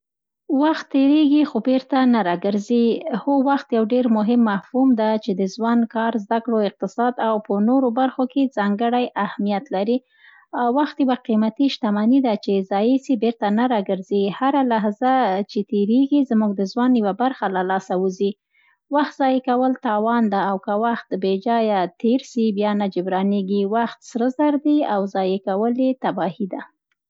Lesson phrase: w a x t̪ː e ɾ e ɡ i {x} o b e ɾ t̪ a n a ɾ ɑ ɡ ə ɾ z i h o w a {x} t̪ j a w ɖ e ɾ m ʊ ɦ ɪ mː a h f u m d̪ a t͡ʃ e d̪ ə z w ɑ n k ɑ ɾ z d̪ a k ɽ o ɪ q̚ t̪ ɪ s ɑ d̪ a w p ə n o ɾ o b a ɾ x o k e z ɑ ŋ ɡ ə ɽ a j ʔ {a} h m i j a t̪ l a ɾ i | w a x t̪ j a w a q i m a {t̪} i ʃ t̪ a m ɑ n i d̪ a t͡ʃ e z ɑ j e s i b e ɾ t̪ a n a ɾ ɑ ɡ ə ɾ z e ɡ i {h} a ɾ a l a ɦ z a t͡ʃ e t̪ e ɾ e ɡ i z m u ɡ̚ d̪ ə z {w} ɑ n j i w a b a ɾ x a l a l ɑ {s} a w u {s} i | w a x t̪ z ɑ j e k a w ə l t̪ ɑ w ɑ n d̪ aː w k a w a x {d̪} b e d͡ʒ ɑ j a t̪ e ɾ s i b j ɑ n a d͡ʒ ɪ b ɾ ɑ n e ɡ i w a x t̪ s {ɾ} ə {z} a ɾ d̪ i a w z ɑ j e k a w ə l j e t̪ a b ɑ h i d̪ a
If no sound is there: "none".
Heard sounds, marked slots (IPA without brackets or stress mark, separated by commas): x, x, a, t̪, h, w, s, z, t̪, ɾ, z